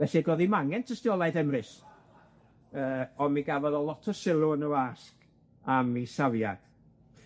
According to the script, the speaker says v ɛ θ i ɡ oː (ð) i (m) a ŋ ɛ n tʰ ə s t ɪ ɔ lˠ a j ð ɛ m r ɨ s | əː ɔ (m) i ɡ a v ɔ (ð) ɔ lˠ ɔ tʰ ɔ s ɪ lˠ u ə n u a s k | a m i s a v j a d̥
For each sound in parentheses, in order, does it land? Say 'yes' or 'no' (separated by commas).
yes, yes, yes, yes